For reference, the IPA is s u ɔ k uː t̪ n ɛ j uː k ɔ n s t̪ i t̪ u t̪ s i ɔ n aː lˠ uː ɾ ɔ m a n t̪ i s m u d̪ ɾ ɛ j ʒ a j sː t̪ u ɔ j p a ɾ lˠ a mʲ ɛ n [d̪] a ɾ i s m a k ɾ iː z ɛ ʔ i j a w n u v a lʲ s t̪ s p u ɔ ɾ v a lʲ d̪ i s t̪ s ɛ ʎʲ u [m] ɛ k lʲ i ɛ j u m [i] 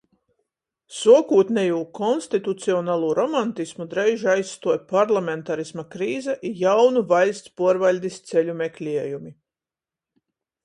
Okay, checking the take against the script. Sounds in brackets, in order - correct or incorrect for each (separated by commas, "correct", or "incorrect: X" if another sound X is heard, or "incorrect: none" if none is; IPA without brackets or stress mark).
incorrect: t̪, correct, correct